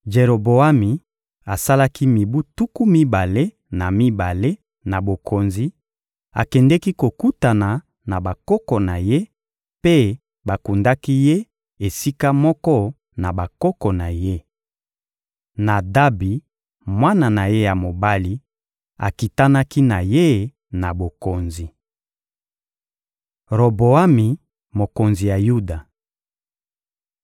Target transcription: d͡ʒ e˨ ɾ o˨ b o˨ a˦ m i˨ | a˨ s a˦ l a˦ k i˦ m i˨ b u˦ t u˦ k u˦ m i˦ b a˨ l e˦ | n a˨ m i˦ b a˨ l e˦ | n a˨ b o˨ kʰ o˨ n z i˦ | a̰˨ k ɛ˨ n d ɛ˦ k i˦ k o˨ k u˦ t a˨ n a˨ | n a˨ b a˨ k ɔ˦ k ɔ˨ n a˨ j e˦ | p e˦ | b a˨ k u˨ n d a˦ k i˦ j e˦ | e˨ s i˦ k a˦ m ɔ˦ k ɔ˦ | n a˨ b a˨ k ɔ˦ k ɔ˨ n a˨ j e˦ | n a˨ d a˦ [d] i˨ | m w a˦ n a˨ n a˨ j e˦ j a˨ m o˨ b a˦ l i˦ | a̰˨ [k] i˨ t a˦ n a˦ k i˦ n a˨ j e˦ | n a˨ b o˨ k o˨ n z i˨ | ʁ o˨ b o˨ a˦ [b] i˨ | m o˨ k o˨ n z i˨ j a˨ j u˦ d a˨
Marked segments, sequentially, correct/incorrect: incorrect: b, correct, incorrect: m

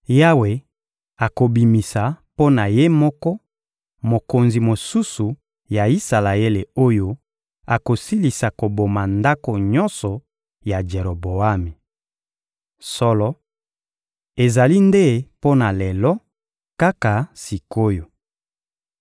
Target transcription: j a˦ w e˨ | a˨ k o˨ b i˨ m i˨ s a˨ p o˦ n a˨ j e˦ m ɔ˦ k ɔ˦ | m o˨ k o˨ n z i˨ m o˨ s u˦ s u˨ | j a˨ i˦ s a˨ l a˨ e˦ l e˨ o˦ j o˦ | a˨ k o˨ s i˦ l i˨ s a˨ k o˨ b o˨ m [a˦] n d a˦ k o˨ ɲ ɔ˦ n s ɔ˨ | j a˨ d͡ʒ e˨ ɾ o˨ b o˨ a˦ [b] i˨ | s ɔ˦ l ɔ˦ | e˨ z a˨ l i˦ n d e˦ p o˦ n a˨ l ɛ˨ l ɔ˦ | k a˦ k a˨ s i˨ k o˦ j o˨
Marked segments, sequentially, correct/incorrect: incorrect: a˨, incorrect: m

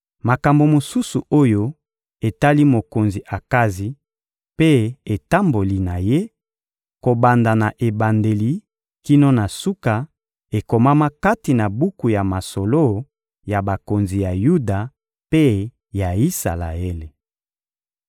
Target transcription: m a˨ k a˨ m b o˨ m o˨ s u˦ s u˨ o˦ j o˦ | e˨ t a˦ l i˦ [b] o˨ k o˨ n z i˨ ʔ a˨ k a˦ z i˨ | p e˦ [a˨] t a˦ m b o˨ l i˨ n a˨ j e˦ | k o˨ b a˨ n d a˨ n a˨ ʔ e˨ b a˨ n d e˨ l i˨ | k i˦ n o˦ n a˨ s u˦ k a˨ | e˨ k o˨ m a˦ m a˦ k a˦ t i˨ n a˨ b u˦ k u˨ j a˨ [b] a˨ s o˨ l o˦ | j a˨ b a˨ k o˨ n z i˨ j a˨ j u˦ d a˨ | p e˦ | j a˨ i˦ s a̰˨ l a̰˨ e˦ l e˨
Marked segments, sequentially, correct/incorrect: incorrect: m, incorrect: e˨, incorrect: m

